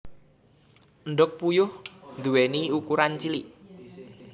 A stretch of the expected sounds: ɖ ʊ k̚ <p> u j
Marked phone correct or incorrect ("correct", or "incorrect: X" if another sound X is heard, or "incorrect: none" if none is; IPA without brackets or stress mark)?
correct